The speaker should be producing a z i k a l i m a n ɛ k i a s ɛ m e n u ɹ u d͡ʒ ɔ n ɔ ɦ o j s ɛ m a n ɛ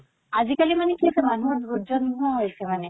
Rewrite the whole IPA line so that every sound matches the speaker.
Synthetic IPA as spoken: a z i k a l i m a n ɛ k i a s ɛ m a n u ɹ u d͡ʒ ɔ n ɔ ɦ o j s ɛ m a n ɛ